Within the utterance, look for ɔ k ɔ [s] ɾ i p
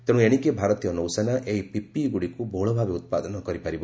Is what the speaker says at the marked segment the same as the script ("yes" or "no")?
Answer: no